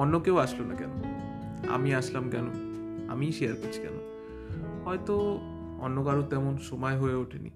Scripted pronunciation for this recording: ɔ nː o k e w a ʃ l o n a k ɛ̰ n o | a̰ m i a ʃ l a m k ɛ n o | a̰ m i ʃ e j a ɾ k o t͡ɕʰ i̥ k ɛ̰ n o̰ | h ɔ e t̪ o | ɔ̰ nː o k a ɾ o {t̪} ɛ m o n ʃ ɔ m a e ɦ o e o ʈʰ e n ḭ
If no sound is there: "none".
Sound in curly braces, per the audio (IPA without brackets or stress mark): t̪